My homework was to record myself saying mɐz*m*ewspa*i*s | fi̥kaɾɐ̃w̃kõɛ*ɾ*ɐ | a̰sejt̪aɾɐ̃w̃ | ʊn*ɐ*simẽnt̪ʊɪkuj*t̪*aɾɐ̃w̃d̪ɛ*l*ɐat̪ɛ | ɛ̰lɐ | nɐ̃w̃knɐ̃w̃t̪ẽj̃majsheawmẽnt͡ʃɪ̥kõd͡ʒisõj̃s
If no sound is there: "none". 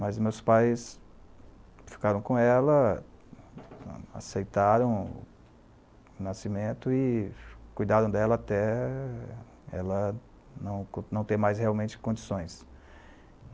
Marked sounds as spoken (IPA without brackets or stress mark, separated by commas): m, j, l, a, d̪, l